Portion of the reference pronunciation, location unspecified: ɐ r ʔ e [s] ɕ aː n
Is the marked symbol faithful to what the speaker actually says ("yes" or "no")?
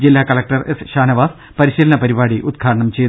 yes